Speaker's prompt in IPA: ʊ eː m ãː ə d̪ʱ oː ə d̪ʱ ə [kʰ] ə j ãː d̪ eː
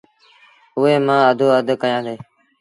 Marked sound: incorrect: k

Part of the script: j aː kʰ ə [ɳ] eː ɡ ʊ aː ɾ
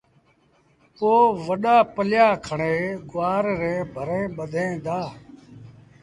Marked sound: correct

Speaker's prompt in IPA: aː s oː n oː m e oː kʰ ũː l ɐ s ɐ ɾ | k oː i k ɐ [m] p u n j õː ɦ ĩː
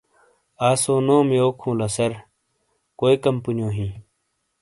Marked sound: correct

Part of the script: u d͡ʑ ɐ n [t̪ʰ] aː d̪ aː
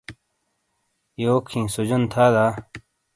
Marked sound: correct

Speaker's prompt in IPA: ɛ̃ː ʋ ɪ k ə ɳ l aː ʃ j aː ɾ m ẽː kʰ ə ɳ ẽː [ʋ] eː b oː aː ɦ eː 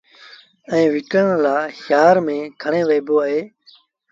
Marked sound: correct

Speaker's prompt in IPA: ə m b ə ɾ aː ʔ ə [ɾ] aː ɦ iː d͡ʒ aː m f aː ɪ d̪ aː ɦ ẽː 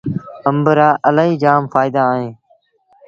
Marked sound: incorrect: l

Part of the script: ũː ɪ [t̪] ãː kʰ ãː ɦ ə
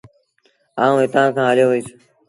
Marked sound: correct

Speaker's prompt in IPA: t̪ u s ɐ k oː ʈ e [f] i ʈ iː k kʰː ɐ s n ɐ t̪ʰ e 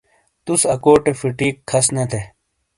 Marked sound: correct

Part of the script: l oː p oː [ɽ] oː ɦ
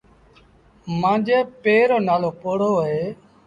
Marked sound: correct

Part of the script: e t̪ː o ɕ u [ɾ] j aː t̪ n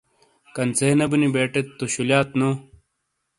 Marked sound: incorrect: l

